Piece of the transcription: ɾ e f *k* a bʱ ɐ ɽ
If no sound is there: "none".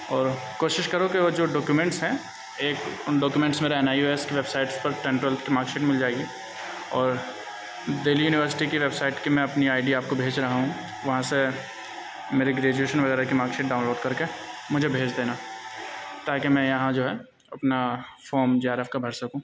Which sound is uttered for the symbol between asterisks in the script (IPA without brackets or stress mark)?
k